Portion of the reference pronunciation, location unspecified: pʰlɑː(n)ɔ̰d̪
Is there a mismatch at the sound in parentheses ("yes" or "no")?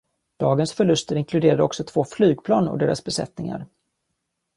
no